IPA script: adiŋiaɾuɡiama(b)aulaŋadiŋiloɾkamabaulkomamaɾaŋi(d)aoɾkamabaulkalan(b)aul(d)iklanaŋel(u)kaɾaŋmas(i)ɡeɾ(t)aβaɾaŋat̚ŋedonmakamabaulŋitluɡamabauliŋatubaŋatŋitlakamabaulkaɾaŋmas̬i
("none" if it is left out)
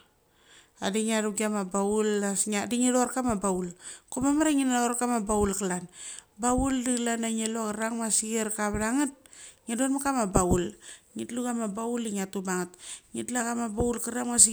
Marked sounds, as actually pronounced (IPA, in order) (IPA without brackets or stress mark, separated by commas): b, n, b, d, o, i, k